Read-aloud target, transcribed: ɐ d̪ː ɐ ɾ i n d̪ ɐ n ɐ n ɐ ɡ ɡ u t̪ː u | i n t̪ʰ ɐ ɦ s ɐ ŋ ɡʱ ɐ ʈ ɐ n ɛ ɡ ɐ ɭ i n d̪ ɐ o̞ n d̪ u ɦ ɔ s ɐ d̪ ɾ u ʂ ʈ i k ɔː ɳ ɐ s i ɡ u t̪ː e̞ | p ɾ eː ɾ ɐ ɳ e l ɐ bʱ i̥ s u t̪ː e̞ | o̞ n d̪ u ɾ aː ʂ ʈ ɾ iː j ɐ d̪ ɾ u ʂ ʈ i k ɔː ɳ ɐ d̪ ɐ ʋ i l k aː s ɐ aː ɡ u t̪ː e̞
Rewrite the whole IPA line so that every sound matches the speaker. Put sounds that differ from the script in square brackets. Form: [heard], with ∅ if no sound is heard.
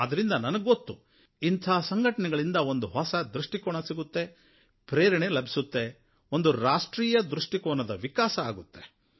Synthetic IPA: ɐ [d̪] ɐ ɾ i n d̪ ɐ n ɐ n ɐ ɡ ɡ [o] t̪ː u | i n t̪ʰ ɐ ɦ s ɐ ŋ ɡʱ ɐ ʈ ɐ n ɛ ɡ ɐ ɭ i n d̪ ɐ o̞ n d̪ u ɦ ɔ s ɐ d̪ ɾ u ʂ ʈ i k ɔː ɳ ɐ s i ɡ u t̪ː e̞ | p ɾ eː ɾ ɐ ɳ e l ɐ bʱ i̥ s u t̪ː e̞ | o̞ n d̪ u ɾ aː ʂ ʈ ɾ iː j ɐ d̪ ɾ u ʂ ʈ i k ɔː ɳ ɐ d̪ ɐ ʋ i [∅] k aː s ɐ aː ɡ u t̪ː e̞